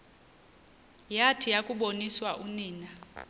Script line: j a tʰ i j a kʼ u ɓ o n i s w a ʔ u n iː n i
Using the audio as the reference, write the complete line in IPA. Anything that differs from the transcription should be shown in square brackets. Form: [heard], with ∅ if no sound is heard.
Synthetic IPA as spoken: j a tʰ i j a kʼ u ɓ o n i s w a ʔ u n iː n [a]